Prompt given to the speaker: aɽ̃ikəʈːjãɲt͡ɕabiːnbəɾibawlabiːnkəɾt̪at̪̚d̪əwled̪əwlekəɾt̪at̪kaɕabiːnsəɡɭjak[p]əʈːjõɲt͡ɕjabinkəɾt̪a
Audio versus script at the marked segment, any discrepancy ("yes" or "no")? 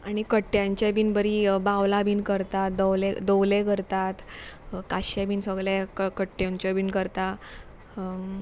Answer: yes